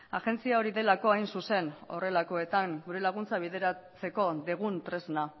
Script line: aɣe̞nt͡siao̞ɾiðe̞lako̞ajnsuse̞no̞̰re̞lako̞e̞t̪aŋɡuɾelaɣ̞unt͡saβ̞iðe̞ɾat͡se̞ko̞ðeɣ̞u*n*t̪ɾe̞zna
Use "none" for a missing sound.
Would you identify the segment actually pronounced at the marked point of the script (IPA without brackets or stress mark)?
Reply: n